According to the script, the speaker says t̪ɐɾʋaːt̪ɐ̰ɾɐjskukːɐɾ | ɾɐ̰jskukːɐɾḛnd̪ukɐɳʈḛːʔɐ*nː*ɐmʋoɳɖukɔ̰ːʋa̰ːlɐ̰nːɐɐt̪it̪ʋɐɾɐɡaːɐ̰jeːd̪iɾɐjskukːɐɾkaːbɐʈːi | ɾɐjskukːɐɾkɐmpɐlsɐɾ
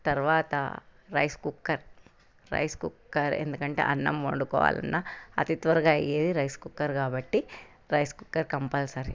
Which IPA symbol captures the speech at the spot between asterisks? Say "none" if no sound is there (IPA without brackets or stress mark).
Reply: nː